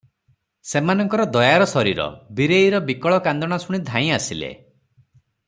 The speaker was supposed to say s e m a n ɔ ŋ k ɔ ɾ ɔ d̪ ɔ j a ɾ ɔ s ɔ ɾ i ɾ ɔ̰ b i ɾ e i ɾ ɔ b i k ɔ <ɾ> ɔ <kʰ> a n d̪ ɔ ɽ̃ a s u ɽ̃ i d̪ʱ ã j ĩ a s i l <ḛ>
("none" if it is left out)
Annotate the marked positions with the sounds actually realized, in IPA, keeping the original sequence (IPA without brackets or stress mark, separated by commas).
ɭ, k, ḛ